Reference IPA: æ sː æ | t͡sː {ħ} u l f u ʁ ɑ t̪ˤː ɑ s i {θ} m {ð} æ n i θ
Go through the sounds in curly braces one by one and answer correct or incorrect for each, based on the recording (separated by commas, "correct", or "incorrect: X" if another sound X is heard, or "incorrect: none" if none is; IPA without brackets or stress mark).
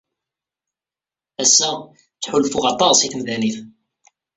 correct, correct, correct